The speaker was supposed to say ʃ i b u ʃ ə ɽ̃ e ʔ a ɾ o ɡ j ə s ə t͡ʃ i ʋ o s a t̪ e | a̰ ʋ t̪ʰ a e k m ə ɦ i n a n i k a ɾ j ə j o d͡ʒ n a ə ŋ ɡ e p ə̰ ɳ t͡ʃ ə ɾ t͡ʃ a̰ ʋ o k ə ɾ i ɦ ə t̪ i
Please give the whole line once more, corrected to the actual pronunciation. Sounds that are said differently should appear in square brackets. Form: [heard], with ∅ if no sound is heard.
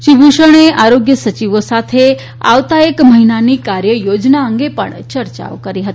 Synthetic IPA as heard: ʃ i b u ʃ ə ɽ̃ e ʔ a ɾ o ɡ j ə s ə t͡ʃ i ʋ o s a [t̪ʰ] e | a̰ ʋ [t̪] a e k m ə ɦ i n a n i k a ɾ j ə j o d͡ʒ n a ə ŋ ɡ e p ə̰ ɳ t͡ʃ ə ɾ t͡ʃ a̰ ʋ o k ə ɾ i ɦ ə t̪ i